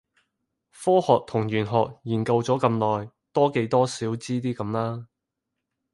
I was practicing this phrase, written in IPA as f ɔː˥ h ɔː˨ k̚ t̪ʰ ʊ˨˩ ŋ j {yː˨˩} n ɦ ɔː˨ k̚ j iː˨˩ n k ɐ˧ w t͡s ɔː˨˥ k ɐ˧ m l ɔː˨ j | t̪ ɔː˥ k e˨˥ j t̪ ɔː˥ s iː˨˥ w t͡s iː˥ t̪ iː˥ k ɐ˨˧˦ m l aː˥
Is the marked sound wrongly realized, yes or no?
no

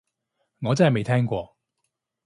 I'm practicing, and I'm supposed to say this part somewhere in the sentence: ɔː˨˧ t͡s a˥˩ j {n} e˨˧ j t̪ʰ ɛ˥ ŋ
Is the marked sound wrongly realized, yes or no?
yes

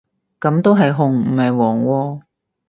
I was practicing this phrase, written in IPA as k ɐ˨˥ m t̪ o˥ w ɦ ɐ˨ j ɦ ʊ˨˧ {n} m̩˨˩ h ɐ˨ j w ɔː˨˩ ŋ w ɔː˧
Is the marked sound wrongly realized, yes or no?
yes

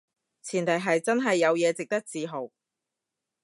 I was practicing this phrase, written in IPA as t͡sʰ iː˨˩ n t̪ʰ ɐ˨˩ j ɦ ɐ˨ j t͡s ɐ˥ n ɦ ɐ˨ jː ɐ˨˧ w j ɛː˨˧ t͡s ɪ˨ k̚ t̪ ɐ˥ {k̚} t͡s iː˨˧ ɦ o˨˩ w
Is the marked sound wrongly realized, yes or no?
no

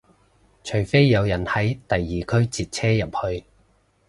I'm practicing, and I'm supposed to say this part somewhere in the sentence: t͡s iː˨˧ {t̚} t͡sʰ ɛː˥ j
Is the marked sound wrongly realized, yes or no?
no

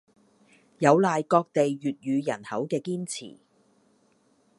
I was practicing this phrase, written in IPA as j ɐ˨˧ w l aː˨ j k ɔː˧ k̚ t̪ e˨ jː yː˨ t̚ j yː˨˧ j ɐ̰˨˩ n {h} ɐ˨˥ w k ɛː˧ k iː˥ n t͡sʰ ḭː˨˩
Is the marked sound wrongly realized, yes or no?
no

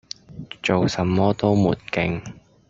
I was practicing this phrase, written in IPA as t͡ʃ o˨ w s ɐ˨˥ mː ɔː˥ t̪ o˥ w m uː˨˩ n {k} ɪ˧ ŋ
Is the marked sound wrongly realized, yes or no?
no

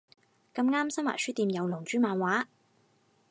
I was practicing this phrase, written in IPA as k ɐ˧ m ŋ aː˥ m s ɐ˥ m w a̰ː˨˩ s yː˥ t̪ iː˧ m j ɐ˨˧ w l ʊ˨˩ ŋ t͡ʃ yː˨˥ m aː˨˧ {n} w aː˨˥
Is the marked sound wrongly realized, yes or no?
no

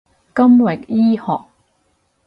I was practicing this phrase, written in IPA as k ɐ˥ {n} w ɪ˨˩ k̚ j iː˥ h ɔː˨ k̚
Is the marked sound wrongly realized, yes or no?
yes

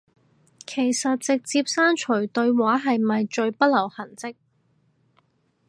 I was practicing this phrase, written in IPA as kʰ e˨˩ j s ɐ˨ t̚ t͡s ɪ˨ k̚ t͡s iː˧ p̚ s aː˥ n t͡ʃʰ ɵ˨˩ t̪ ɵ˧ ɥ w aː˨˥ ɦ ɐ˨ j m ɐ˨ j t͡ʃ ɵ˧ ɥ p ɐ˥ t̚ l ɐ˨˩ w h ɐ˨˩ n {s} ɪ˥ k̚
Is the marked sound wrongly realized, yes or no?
yes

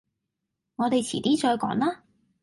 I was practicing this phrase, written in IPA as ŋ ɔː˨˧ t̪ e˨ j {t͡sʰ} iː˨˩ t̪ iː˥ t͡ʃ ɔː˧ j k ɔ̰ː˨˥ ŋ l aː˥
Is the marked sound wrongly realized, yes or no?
no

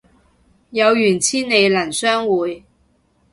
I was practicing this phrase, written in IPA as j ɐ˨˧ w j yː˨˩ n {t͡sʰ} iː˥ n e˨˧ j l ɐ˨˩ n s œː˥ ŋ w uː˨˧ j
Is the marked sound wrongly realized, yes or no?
no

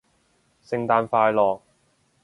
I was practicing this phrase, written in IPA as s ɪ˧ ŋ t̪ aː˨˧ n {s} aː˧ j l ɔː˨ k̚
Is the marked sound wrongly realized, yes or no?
yes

